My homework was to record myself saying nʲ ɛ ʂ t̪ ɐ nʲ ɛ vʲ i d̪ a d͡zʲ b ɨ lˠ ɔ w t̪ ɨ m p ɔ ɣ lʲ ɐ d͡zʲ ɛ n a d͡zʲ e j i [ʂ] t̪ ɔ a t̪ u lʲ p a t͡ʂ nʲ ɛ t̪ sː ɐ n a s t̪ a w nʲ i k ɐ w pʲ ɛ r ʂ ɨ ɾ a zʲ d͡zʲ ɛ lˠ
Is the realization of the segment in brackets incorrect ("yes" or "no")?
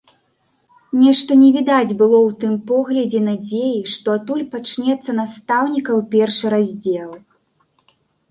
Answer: no